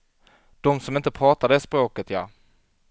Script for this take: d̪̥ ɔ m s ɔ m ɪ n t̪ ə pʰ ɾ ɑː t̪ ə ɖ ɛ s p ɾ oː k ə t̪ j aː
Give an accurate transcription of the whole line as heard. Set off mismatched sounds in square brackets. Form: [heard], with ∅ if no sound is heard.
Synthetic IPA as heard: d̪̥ ɔ m s ɔ m ɪ n t̪ ə pʰ ɾ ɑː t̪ [a] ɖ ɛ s p ɾ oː k ə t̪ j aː